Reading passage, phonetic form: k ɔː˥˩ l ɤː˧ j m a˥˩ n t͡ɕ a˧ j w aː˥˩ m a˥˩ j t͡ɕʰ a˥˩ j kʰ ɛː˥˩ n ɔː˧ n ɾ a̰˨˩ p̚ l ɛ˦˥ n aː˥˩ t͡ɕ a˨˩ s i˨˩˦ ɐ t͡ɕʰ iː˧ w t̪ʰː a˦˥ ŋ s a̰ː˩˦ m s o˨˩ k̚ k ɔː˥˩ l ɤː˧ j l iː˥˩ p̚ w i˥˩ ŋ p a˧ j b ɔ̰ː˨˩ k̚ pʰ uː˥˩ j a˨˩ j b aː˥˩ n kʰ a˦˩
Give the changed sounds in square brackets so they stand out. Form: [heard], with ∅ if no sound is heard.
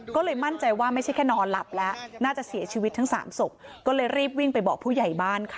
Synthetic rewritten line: k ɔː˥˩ l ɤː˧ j m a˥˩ n t͡ɕ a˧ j w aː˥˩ m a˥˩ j t͡ɕʰ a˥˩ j kʰ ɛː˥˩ n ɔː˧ n [l] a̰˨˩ p̚ l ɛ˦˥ n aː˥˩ t͡ɕ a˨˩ s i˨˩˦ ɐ t͡ɕʰ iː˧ w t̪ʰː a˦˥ ŋ s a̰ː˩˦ m s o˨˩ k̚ k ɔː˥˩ l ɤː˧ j [ɾ] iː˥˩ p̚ w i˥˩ ŋ p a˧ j b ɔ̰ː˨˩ k̚ pʰ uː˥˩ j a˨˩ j b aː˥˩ n kʰ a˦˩